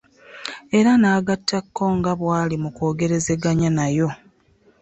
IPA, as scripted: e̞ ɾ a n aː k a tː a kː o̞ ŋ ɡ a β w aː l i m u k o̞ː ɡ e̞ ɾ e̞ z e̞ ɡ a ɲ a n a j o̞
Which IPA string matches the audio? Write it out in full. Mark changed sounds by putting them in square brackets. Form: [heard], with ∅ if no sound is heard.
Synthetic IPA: e̞ ɾ a n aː [ɡ] a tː a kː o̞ ŋ ɡ a β w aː l i m u k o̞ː ɡ e̞ ɾ e̞ z e̞ ɡ a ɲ a n a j o̞